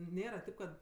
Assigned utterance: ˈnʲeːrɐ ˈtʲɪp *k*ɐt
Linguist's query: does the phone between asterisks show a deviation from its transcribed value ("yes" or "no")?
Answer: no